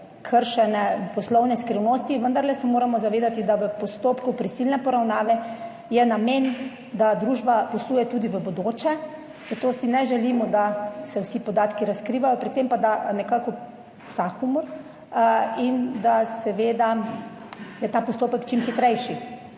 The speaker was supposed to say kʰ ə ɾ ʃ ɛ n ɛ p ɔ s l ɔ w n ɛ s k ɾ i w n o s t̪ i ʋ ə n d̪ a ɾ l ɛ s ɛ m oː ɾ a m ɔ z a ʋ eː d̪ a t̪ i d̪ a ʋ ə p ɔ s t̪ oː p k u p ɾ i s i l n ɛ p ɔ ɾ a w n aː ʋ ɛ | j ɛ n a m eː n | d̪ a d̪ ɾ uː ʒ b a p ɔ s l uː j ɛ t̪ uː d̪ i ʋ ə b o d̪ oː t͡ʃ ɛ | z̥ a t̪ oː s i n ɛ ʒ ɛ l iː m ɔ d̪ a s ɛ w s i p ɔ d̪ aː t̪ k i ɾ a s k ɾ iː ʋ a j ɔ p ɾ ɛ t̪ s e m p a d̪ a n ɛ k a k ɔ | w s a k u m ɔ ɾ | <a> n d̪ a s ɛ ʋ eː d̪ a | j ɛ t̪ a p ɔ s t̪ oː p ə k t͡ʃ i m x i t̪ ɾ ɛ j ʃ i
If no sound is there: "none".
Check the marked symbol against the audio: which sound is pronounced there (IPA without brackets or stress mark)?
i